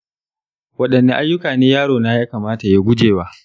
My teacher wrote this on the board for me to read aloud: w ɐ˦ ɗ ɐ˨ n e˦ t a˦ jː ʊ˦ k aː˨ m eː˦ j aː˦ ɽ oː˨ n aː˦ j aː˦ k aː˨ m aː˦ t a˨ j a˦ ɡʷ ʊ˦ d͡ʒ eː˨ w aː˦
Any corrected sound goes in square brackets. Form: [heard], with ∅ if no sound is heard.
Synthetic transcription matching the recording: w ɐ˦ ɗ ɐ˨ [nː] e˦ [ʔ] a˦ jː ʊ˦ k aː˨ [n] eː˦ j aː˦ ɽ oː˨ n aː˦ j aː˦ k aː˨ m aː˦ t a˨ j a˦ ɡʷ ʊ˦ d͡ʒ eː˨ w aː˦

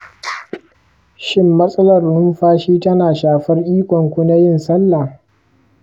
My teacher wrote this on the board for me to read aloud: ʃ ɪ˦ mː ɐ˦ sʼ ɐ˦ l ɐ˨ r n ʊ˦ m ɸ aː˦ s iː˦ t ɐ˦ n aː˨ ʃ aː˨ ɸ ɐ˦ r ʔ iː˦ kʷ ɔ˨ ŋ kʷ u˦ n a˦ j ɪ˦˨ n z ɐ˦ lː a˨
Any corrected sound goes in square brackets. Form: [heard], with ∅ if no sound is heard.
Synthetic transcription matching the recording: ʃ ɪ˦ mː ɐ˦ sʼ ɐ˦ l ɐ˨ r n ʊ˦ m ɸ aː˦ [ʃ] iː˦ t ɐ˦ n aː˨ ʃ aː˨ ɸ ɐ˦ r ʔ iː˦ kʷ ɔ˨ ŋ kʷ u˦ n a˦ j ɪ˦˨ n [s] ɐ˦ lː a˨

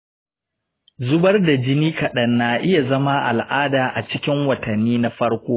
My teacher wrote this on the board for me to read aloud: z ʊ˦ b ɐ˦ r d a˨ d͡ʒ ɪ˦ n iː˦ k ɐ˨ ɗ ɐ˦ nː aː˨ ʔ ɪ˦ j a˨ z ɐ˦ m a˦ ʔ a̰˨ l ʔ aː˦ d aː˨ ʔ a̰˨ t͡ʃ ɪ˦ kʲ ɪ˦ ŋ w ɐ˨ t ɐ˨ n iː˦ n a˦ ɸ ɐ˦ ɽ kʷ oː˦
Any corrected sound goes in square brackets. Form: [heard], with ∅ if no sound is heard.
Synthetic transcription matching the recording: z ʊ˦ b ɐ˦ r d a˨ d͡ʒ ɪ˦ n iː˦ k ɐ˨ ɗ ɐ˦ nː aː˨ ʔ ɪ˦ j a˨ z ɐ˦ m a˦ ʔ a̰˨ l ʔ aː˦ d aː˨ ʔ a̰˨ t͡ʃ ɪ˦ kʲ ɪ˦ ŋ w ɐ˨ t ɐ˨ [nː] iː˦ n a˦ ɸ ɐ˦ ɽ kʷ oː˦

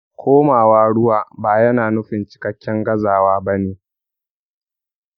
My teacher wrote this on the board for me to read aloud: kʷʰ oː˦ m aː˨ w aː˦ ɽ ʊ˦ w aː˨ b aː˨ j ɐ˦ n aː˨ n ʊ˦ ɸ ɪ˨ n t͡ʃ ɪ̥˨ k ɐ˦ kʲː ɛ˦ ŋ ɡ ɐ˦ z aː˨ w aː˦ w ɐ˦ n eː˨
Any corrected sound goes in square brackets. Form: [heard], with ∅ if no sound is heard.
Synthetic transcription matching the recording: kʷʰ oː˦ m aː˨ w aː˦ ɽ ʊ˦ w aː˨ b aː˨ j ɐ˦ n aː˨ n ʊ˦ ɸ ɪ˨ n t͡ʃ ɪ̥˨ k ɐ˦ kʲː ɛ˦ ŋ ɡ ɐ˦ z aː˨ w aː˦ [b] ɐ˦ n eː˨

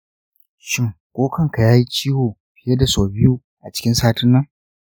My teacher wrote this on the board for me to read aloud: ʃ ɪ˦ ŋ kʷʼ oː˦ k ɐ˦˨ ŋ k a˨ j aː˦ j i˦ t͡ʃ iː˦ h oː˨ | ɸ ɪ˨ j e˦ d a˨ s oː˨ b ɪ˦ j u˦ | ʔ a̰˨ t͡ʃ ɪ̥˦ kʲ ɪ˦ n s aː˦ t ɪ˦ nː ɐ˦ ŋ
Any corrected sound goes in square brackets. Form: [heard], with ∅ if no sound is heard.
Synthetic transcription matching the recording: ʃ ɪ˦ ŋ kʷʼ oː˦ k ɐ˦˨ ŋ k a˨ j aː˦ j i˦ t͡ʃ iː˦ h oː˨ | ɸ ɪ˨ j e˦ d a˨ s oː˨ b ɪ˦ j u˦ | ʔ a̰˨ t͡ʃ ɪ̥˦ kʲ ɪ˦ n s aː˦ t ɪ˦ nː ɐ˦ ŋ

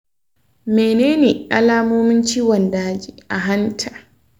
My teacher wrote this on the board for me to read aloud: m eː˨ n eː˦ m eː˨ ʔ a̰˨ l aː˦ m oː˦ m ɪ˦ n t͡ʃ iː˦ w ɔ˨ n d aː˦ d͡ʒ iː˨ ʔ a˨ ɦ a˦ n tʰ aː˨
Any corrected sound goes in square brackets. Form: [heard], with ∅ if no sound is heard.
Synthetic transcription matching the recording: m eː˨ n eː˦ [n] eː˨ ʔ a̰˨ l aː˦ m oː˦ m ɪ˦ n t͡ʃ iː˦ w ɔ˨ n d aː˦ d͡ʒ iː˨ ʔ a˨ ɦ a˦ n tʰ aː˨

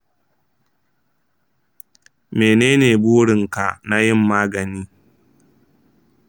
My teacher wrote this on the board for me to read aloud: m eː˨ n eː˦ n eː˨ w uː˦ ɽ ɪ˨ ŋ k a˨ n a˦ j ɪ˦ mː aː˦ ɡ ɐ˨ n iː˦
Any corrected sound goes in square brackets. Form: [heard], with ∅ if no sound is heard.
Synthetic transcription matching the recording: m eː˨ n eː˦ n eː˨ [b] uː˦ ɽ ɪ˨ ŋ k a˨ n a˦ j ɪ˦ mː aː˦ ɡ ɐ˨ n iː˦

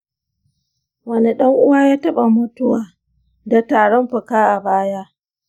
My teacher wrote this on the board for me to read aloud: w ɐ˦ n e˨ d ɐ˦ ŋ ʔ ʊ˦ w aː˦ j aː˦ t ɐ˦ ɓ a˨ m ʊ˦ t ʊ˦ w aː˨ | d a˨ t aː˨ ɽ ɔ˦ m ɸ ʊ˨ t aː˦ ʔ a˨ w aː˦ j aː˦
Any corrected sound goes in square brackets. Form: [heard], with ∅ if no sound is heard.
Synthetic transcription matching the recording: w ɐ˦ n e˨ [ɗ] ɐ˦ ŋ ʔ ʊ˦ w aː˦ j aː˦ t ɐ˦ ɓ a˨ m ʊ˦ t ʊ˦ w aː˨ | d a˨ t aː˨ ɽ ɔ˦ m ɸ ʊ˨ [k] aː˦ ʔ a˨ [b] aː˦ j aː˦

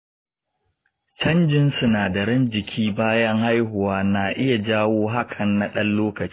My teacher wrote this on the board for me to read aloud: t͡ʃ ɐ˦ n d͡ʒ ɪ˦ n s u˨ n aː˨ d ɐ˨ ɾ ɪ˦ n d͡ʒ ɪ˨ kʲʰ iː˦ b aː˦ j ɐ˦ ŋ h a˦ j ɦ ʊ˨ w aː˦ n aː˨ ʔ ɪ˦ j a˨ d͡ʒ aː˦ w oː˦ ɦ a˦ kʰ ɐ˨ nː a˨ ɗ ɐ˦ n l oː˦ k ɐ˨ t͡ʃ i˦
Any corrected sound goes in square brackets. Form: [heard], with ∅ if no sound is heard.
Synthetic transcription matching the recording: t͡ʃ ɐ˦ n d͡ʒ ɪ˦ n s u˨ n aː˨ d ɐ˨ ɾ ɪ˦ n d͡ʒ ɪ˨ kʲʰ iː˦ b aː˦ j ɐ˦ ŋ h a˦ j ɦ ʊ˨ w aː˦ n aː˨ ʔ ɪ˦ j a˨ d͡ʒ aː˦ w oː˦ ɦ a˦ kʰ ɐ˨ nː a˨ ɗ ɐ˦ n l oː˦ k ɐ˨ t͡ʃ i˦

